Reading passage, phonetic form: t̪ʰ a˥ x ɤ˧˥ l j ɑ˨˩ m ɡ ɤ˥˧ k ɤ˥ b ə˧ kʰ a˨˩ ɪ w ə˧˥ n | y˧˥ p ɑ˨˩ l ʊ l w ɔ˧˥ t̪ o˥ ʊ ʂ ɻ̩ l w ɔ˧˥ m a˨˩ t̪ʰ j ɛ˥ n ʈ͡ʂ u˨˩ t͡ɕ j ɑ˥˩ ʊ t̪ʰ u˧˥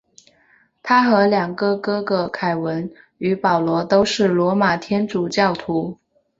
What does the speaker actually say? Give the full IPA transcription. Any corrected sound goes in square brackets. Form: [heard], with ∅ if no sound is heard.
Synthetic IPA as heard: t̪ʰ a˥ x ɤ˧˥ l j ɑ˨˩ [ŋ] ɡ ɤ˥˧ k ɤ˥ [ɡ] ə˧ kʰ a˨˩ ɪ w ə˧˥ n | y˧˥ p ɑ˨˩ [∅] ʊ l w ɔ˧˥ t̪ o˥ ʊ ʂ ɻ̩ l w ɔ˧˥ m a˨˩ t̪ʰ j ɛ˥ n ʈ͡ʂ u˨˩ t͡ɕ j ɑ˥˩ ʊ t̪ʰ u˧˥